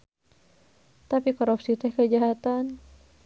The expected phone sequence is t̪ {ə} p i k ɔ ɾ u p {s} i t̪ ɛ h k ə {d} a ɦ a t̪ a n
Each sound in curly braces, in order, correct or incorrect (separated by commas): incorrect, correct, incorrect